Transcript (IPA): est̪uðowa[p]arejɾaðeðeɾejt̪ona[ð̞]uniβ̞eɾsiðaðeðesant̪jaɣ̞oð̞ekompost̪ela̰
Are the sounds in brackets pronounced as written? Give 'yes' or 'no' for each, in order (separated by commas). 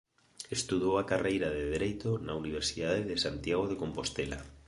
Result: no, no